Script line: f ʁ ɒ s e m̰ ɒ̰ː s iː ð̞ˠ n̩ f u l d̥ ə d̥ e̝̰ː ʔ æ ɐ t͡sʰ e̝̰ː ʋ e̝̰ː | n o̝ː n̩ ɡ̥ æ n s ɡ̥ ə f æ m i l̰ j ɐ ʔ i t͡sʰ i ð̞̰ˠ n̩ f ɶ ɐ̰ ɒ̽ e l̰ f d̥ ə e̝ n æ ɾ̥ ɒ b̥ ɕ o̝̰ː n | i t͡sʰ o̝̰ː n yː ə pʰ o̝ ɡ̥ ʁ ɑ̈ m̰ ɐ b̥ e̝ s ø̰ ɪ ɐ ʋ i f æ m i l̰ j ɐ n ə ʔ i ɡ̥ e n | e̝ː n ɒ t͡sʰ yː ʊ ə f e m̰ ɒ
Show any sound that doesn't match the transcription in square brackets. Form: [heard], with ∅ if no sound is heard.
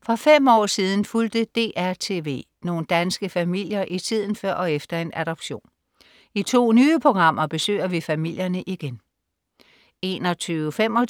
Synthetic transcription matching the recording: f ʁ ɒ [f] e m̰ ɒ̰ː s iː ð̞ˠ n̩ f u l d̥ ə d̥ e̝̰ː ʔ æ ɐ t͡sʰ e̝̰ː ʋ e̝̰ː | n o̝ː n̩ [d̥] æ n s ɡ̥ ə f æ m i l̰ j ɐ ʔ i t͡sʰ i ð̞̰ˠ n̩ f ɶ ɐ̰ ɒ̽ e [∅] f d̥ [ɐ] e̝ n æ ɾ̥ ɒ b̥ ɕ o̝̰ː n | i t͡sʰ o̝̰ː n yː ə pʰ o̝ ɡ̥ ʁ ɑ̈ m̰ ɐ b̥ e̝ s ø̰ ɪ ɐ ʋ i f æ m i l̰ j ɐ n ə ʔ i ɡ̥ e n | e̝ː n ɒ t͡sʰ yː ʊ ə f e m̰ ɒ